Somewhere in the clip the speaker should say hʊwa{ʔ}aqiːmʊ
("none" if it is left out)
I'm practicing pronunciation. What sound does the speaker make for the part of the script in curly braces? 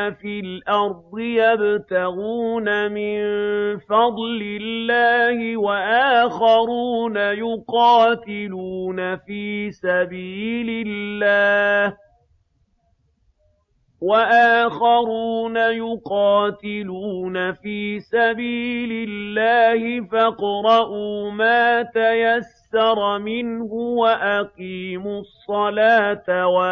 ʔ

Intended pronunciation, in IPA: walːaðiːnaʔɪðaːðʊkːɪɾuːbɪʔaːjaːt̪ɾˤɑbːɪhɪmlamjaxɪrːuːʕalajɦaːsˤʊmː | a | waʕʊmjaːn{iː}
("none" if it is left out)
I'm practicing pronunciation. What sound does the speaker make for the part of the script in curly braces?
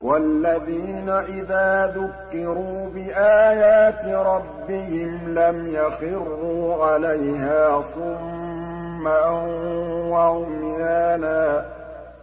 aː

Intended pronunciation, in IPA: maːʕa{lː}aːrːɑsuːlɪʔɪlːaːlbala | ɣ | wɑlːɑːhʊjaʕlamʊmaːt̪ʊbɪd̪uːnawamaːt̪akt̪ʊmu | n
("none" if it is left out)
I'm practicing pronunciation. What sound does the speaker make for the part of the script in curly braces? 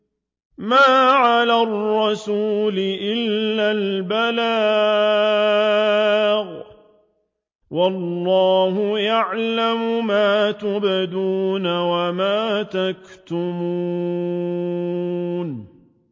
l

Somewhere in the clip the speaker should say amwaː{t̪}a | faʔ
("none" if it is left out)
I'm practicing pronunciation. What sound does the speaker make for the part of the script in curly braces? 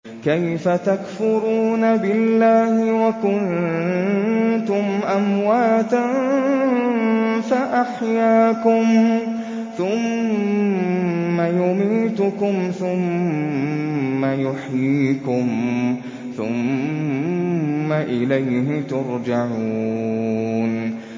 t̪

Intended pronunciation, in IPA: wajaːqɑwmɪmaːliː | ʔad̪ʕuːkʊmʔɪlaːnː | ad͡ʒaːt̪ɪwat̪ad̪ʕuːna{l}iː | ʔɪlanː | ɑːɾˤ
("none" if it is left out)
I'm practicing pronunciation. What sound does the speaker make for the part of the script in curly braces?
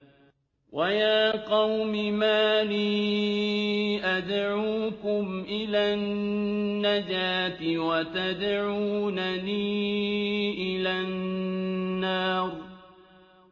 l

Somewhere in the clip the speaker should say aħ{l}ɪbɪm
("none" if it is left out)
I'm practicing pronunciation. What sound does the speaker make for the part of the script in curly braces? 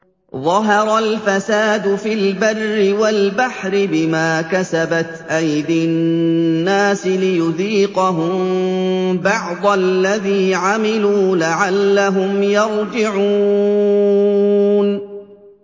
ɾ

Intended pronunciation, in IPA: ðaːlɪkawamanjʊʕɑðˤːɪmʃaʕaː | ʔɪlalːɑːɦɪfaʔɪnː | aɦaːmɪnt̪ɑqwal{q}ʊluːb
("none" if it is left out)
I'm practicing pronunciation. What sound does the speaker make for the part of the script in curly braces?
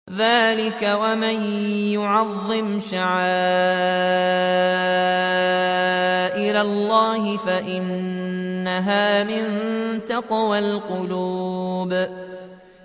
q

